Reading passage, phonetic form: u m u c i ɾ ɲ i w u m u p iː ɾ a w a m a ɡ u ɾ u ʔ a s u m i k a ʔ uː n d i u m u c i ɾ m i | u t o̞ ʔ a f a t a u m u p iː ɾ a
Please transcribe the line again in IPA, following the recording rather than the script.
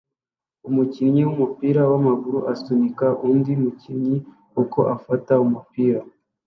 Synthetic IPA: u m u c i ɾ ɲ i w u m u p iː ɾ a w a m a ɡ u ɾ u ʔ a s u m i k a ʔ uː n d i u m u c i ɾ ɲ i | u k o̞ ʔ a f a t a u m u p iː ɾ a